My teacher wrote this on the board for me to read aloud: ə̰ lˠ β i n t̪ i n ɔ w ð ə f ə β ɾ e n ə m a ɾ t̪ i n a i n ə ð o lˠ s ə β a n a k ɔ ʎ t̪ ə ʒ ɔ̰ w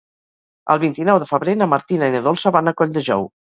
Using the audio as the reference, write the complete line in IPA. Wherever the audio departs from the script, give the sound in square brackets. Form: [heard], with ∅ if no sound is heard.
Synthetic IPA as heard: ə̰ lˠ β i n t̪ i n ɔ w ð ə f ə β ɾ e n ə m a ɾ t̪ i n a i n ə ð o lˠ s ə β a n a k ɔ ʎ [d̪] ə ʒ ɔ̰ w